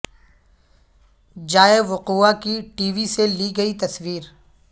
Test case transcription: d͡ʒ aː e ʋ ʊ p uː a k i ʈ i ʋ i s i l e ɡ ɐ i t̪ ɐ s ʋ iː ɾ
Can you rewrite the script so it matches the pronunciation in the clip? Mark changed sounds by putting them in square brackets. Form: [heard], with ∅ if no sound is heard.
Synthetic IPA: d͡ʒ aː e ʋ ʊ [q] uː a k i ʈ [iː] ʋ i s [e] l [i] ɡ ɐ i t̪ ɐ s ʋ iː ɾ